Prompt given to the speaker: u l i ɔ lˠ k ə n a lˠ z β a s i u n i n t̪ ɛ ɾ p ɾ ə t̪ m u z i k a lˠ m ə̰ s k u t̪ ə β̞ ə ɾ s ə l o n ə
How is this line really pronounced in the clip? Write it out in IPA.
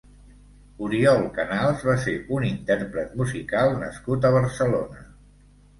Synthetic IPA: u ɾ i ɔ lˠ k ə n a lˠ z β a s e u n i n t̪ ɛ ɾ p ɾ ə t̪ m u z i k a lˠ n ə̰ s k u t̪ ə β̞ ə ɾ s ə l o n ə

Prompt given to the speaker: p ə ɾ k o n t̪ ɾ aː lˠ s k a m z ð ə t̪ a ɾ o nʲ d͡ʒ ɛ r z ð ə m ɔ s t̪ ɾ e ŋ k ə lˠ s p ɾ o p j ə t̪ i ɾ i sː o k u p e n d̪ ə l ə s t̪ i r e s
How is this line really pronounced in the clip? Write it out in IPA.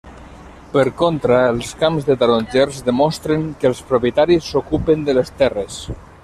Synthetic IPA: p ə ɾ k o n t̪ ɾ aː lˠ s k a m z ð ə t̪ a ɾ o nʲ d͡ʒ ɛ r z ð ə m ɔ s t̪ ɾ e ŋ k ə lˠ s p ɾ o p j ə t̪ a ɾ i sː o k u p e n d̪ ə l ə s t̪ ɛ r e s

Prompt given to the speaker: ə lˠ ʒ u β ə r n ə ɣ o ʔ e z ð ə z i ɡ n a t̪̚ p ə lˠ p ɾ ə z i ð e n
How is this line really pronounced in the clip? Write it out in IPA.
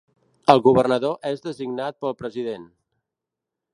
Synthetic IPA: ə lˠ ɣ u β ə r n ə ð o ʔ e z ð ə z i ɡ n a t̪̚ p ə lˠ p ɾ ə z i ð e n

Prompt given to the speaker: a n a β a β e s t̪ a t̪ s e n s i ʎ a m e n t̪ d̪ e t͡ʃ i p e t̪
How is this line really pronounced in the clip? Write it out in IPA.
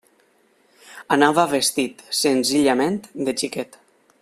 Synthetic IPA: a n a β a β e s t̪ i t̪ s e n z i ʎ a m e n t̪ d̪ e t͡ʃ i k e t̪

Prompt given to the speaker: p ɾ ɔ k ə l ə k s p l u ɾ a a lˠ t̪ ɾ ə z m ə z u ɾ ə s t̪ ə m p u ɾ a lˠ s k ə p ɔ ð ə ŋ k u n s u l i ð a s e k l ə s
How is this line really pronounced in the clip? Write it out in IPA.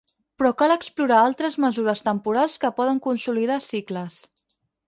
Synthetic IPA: p ɾ ɔ k a l ə k s p l u ɾ a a lˠ t̪ ɾ ə z m ə z u ɾ ə s t̪ ə m p u ɾ a lˠ s k ə p ɔ ð ə ŋ k u n s u l i ð a s i k l ə s

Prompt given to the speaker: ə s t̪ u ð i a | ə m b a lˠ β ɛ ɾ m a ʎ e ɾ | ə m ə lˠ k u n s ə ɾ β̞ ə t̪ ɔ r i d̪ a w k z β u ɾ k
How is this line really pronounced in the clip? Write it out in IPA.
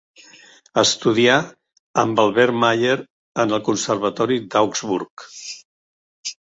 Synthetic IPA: ə s t̪ u ð i a | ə m b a lˠ β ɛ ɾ m a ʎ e ɾ | ə n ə lˠ k u n s ə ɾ β̞ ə t̪ ɔ ɾ i d̪ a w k z β u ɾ k

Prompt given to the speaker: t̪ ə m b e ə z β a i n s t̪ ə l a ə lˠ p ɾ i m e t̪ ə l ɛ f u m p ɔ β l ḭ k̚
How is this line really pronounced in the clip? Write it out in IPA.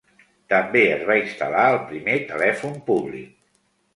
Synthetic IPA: t̪ ə m b e ə z β a i n s t̪ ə l a ə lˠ p ɾ i m e t̪ ə l ɛ f u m p u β l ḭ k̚

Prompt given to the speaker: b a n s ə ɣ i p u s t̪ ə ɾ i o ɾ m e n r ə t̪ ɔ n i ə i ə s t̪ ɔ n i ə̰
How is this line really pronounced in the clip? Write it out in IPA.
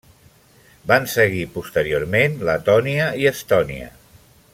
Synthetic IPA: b a n s ə ɣ i p u s t̪ ə ɾ i o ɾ m e n l ə t̪ ɔ n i ə i ə s t̪ ɔ n i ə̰

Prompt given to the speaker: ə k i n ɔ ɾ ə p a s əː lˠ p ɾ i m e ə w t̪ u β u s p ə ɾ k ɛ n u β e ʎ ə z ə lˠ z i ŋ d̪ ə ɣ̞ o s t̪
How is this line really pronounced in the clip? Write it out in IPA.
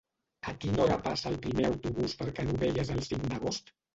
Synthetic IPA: ə k i n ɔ ɾ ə p a s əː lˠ p ɾ i m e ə w t̪ u β u s p ə ɾ k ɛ n u β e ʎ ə z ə lˠ s i ŋ d̪ ə ɣ̞ o s t̪

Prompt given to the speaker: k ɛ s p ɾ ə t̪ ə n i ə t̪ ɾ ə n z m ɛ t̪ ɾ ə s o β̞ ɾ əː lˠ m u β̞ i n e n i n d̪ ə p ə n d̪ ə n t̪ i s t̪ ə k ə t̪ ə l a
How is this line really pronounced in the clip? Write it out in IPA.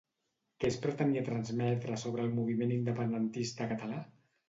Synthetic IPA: k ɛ s p ɾ ə t̪ ə n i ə t̪ ɾ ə n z m ɛ t̪ ɾ ə s o β̞ ɾ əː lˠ m u β̞ i m e n i n d̪ ə p ə n d̪ ə n t̪ i s t̪ ə k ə t̪ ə l a

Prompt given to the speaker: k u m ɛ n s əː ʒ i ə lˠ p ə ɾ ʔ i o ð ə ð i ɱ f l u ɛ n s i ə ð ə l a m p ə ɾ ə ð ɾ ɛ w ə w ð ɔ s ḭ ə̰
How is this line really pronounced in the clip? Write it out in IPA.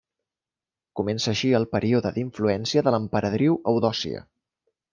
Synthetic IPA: k u m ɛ n s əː ʃ i ə lˠ p ə ɾ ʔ i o ð ə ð i ɱ f l u ɛ n s i ə ð ə l ə m p ə ɾ ə ð ɾ i w ə w ð ɔ s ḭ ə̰

